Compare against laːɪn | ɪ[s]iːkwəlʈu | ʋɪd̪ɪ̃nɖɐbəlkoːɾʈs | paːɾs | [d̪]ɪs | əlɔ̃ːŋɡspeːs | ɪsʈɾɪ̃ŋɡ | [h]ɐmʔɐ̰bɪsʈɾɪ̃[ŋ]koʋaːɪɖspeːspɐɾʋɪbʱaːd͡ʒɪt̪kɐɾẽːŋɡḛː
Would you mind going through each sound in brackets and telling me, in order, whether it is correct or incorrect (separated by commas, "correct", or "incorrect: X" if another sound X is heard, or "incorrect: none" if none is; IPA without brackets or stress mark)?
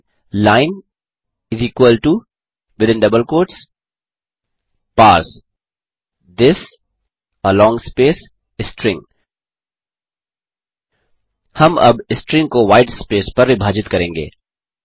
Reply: incorrect: z, correct, correct, correct